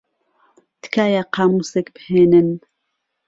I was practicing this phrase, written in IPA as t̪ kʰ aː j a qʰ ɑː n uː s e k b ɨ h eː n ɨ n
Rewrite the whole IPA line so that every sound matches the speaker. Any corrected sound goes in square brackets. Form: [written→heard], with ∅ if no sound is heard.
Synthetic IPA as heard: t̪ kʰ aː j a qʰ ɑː [n→m] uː s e k b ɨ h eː n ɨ n